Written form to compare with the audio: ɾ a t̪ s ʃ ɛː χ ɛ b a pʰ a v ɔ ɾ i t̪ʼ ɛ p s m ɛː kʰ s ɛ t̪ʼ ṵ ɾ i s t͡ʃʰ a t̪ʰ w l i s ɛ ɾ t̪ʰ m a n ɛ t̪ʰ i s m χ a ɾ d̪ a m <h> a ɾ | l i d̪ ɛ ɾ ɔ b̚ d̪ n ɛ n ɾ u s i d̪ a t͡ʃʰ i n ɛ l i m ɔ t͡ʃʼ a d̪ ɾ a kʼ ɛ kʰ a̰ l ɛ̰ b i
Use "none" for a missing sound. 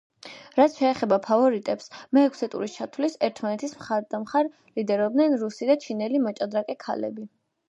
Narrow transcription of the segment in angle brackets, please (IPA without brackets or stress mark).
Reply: χ